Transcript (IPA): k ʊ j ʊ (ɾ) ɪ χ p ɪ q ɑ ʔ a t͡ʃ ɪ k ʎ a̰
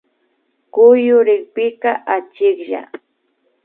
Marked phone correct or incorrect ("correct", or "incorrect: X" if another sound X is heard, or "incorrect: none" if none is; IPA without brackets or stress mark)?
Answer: correct